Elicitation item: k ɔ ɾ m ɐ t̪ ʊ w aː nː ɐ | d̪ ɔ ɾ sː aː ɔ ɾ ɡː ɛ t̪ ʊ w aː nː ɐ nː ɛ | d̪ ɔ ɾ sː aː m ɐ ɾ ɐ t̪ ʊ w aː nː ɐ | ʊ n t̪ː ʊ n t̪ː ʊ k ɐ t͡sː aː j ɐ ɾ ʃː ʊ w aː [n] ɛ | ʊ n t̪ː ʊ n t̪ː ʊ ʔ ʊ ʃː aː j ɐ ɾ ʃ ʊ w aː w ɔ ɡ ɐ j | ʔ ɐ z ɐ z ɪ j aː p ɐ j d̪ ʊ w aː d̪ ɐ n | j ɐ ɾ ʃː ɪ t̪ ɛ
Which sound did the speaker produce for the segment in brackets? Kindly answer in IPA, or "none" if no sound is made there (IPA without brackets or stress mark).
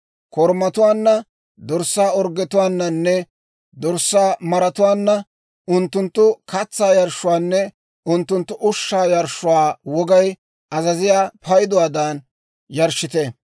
nː